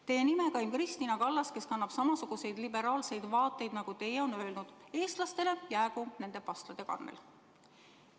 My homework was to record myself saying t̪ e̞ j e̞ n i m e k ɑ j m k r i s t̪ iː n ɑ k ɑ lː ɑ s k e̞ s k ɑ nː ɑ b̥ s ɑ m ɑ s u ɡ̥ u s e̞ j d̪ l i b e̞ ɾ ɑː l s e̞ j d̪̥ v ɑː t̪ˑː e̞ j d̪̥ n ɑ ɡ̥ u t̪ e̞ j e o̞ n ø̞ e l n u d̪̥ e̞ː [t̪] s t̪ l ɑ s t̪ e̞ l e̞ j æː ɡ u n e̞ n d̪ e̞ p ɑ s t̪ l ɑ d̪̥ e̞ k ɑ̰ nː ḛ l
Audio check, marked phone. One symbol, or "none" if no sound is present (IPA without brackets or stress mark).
none